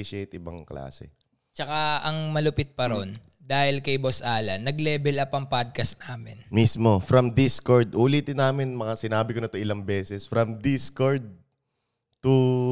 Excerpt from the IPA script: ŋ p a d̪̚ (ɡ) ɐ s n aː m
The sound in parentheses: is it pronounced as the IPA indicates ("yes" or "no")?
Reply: no